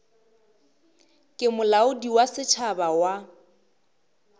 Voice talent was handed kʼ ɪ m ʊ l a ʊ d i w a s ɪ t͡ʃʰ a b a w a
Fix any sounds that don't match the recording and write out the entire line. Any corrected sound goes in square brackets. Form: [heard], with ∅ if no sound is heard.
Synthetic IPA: kʼ ɪ m ʊ l a ʊ d i w a s ɪ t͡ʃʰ a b a w a